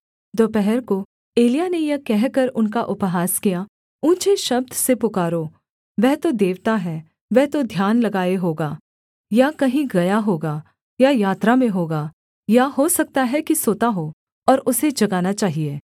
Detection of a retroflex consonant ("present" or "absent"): absent